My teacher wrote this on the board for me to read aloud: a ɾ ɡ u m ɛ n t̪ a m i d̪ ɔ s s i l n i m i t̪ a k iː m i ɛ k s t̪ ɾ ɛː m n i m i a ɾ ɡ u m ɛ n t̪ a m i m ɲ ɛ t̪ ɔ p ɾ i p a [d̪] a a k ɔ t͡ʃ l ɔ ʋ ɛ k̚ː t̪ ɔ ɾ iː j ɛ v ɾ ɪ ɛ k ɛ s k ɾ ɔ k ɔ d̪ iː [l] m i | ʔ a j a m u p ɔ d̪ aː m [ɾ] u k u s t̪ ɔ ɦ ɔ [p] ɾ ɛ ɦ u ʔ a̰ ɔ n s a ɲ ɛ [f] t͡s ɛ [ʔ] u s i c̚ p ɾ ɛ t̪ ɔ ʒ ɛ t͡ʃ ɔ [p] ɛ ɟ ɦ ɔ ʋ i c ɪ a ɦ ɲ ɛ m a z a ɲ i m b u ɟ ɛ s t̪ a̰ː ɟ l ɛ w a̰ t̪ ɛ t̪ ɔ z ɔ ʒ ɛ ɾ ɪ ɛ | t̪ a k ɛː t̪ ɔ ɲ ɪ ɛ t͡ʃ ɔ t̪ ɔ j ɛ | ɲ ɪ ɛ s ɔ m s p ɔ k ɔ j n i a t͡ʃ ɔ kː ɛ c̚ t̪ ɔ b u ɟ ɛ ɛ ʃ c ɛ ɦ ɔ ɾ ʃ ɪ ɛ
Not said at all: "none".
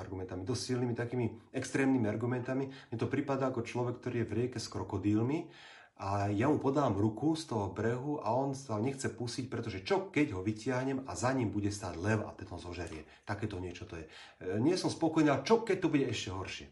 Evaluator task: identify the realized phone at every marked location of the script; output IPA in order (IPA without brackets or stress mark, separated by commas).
d̪, l, ɾ, b, x, p, k